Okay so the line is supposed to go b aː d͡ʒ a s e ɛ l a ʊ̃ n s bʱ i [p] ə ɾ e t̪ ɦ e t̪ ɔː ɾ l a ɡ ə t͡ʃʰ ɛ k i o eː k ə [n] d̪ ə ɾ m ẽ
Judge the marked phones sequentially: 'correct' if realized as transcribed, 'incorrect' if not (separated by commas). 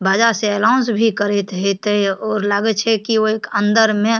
incorrect, correct